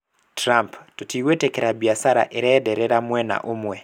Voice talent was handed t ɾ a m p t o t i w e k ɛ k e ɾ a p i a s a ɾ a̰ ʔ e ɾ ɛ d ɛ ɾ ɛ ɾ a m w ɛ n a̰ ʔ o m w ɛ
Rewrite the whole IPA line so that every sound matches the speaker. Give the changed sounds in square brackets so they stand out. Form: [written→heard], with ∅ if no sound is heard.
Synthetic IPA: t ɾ a m p t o t i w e [k→t] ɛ k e ɾ a [p→b] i a s a ɾ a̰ ʔ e ɾ ɛ d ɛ ɾ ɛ ɾ a m w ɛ n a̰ ʔ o m w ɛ